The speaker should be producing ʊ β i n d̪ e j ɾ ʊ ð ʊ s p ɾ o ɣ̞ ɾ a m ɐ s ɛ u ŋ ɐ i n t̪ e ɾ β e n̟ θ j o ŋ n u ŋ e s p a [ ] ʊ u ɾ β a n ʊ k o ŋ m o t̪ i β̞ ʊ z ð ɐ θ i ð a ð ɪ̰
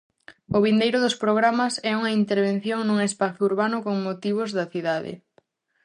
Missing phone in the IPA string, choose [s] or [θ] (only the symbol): θ